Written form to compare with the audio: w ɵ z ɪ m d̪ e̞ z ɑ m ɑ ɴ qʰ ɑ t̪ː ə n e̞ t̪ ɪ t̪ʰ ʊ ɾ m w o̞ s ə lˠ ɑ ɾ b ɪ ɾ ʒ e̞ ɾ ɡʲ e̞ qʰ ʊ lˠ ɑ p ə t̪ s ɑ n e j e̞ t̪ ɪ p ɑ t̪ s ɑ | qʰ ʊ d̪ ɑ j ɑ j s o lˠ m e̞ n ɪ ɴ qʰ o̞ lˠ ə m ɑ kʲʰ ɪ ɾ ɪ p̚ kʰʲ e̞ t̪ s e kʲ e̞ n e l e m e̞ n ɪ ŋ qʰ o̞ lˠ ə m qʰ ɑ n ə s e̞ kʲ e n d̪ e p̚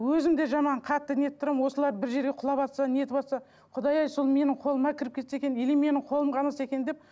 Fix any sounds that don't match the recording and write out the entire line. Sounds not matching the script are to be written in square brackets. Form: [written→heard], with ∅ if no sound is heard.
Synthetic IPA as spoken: w ɵ z ɪ m d̪ e̞ [z→ʒ] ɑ m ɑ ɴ qʰ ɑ t̪ː ə n e̞ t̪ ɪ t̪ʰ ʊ ɾ m w o̞ s ə lˠ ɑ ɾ b ɪ ɾ ʒ e̞ ɾ ɡʲ e̞ qʰ ʊ lˠ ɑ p [ə→ɑ] t̪ s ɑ n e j e̞ t̪ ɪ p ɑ t̪ s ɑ | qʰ ʊ d̪ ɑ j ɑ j s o lˠ m e̞ n ɪ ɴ qʰ o̞ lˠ ə m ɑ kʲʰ ɪ ɾ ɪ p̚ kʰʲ e̞ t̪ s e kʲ e̞ n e l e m e̞ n ɪ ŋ qʰ o̞ lˠ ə m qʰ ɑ n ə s e̞ kʲ e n d̪ e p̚